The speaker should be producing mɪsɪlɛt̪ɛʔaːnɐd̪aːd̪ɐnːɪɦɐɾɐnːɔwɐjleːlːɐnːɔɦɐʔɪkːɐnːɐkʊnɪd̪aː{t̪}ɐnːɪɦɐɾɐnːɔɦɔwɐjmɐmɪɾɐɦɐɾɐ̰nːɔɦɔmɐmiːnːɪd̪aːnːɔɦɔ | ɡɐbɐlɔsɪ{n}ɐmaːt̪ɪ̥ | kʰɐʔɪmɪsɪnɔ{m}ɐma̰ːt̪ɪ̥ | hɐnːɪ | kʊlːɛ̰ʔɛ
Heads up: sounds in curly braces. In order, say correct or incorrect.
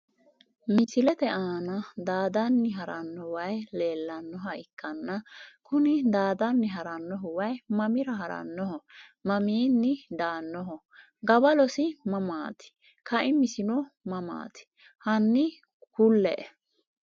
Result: incorrect: d̪, incorrect: m, correct

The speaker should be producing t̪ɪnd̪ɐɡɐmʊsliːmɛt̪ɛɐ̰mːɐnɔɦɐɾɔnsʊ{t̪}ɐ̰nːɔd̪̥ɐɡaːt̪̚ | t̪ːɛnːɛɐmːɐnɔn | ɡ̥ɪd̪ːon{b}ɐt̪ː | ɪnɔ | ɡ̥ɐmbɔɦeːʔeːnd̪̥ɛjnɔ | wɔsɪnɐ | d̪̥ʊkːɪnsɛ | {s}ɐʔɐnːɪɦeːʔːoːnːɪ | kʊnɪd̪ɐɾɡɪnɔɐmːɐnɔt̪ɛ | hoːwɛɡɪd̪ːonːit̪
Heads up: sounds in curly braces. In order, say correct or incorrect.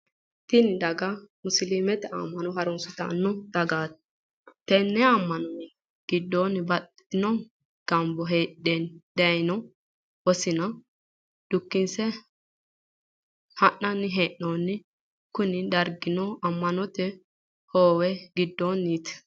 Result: correct, correct, incorrect: h

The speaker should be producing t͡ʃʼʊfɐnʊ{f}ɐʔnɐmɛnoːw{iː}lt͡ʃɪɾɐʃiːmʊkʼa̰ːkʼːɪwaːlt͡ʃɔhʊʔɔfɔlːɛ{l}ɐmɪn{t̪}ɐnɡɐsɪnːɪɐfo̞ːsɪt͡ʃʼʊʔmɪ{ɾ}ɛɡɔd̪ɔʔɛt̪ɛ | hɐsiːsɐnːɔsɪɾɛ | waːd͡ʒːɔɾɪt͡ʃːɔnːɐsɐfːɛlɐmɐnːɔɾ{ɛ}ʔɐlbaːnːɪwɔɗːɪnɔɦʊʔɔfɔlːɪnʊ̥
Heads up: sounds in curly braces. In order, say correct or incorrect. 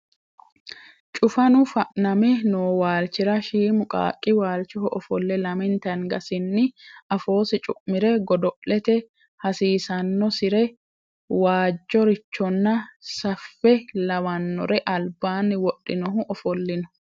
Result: correct, incorrect: aː, correct, correct, correct, correct

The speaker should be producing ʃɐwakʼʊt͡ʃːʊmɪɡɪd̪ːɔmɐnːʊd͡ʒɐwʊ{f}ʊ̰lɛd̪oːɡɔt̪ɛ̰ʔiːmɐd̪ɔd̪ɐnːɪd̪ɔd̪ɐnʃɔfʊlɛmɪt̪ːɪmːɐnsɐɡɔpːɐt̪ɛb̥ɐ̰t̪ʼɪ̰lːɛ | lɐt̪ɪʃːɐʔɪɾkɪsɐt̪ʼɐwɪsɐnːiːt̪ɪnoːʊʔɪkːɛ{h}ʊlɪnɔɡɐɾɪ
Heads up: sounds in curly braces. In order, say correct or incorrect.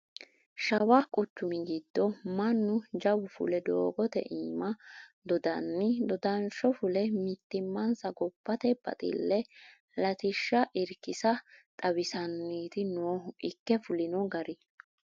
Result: correct, incorrect: f

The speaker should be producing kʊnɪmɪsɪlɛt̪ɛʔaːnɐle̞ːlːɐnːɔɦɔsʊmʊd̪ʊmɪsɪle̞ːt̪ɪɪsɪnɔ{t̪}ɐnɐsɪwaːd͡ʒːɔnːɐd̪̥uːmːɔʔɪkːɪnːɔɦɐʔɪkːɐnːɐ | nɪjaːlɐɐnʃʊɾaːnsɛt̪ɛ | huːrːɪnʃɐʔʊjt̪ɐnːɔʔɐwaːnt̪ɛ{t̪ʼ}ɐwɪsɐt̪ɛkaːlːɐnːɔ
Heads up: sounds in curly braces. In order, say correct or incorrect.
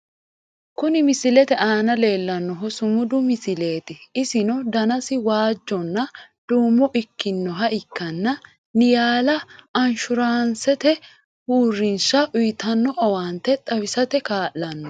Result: incorrect: d̪, correct

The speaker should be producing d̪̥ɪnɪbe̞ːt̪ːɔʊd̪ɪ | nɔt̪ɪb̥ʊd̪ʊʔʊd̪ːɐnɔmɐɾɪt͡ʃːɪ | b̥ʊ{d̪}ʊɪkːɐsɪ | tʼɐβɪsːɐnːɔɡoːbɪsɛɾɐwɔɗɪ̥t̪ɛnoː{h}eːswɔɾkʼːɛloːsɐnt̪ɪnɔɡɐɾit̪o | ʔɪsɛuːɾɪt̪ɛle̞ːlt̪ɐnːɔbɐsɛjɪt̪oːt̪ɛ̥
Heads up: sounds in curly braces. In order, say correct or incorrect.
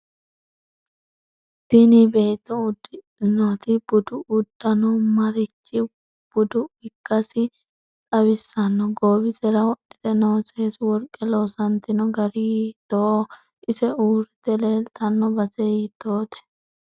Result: correct, incorrect: s

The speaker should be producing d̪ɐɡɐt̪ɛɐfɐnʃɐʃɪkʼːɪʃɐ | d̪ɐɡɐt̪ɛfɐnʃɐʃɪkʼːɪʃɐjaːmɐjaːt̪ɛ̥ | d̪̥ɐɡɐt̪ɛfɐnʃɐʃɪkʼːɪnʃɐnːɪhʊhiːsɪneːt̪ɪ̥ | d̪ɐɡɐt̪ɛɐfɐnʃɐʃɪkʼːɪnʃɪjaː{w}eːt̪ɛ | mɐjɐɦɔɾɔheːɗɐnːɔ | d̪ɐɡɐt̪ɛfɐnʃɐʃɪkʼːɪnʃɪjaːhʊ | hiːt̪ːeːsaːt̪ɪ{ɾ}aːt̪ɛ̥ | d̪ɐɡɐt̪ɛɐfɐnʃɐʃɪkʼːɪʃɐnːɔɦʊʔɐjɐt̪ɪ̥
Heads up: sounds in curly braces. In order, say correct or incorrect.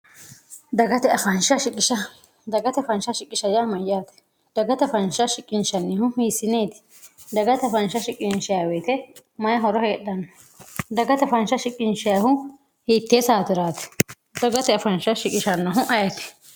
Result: correct, correct

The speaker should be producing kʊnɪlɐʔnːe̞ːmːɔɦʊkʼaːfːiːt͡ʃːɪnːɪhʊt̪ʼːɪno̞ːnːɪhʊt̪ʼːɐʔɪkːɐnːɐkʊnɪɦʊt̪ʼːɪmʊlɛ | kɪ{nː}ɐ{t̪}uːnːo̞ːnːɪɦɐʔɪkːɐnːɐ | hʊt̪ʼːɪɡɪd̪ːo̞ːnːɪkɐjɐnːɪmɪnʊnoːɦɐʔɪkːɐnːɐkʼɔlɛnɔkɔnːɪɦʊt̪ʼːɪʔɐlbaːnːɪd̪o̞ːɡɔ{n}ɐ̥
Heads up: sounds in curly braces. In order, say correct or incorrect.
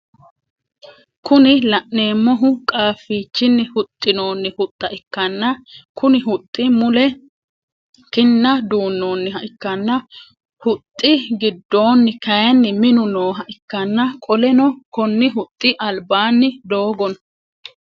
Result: correct, incorrect: d̪, correct

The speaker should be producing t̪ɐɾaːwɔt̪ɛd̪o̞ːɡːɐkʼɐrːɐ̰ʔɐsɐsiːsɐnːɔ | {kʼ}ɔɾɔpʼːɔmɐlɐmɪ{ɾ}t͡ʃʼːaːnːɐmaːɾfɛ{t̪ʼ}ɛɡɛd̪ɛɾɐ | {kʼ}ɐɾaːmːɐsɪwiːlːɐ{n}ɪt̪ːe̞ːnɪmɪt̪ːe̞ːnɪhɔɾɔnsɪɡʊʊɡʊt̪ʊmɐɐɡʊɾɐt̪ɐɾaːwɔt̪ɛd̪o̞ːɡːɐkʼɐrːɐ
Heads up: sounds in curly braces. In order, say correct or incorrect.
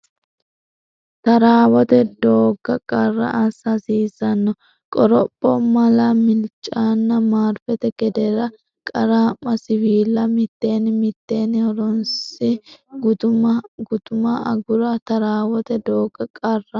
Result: correct, incorrect: l, incorrect: t̪, correct, incorrect: m

